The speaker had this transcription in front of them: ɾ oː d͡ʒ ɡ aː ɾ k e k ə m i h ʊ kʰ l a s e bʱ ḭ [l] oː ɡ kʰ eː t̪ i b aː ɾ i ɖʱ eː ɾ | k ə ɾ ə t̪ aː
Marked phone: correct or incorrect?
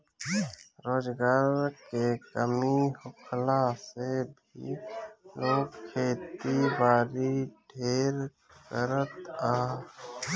correct